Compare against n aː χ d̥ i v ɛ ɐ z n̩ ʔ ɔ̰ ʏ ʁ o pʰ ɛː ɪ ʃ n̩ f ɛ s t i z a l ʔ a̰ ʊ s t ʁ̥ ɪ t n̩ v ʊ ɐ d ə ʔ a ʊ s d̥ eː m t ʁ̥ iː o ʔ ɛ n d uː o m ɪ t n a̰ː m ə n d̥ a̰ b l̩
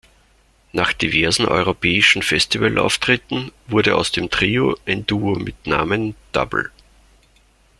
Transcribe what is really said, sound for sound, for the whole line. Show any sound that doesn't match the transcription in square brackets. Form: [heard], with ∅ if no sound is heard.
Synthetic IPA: n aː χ d̥ i v ɛ ɐ z n̩ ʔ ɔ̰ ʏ ʁ o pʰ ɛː ɪ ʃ n̩ f ɛ s t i [v] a l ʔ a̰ ʊ [f] t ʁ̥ ɪ t n̩ v ʊ ɐ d ə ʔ a ʊ s d̥ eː m t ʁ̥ iː o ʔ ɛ n d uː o m ɪ t n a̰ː m ə n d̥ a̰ b l̩